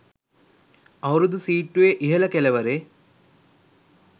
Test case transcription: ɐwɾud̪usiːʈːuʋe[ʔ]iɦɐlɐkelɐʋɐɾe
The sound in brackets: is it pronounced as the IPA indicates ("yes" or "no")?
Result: yes